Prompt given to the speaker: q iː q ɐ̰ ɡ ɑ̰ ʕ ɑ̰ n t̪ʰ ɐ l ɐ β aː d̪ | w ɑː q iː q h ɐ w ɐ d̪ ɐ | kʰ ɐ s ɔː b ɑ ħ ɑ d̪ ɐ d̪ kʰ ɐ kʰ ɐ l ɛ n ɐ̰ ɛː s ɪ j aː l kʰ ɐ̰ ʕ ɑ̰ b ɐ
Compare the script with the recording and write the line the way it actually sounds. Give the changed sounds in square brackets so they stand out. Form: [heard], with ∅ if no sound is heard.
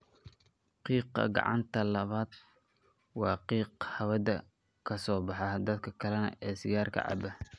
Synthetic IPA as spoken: q iː q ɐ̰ ɡ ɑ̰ ʕ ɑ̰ n t̪ʰ ɐ l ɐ β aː d̪ | w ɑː q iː q h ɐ w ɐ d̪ ɐ | kʰ ɐ s ɔː b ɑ ħ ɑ d̪ ɐ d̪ kʰ ɐ kʰ ɐ l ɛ n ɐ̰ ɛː s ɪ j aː [r] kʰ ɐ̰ ʕ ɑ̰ b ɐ